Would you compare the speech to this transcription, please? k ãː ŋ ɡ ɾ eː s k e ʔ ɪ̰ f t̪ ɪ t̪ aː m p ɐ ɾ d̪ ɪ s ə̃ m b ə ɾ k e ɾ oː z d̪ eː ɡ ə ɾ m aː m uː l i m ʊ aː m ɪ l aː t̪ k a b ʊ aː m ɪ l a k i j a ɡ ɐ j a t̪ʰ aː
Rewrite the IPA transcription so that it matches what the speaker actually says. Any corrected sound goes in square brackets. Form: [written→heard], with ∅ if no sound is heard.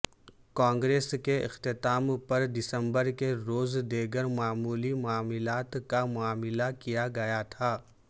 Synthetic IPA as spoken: k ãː ŋ ɡ ɾ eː s k e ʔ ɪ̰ [f→x] t̪ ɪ t̪ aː m p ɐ ɾ d̪ ɪ s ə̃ m b ə ɾ k e ɾ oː z d̪ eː ɡ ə ɾ m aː m uː l i m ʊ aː m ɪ l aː t̪ k a [b→m] ʊ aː m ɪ l a k i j a ɡ ɐ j a t̪ʰ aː